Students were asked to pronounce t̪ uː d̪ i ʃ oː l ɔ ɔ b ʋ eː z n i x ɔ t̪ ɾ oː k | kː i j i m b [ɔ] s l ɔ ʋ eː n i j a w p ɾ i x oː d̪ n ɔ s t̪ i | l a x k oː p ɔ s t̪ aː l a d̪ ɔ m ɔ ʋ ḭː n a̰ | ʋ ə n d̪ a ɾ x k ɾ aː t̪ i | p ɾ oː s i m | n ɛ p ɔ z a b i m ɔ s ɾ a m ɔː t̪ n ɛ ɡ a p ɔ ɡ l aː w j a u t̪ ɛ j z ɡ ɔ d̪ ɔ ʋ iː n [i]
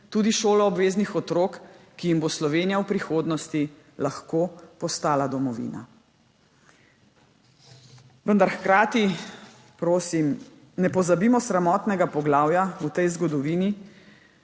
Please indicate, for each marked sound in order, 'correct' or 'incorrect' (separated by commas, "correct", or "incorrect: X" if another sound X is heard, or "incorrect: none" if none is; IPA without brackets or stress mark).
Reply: incorrect: o, correct